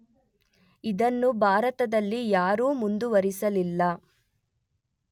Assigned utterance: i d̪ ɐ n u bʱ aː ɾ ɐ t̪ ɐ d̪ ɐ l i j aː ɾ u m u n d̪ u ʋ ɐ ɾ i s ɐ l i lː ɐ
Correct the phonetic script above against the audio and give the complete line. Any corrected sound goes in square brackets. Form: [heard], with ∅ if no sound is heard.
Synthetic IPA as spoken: i d̪ ɐ [nː] u bʱ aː ɾ ɐ t̪ ɐ d̪ ɐ [lː] i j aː ɾ [uː] m u n d̪ u ʋ ɐ ɾ i s ɐ l i lː ɐ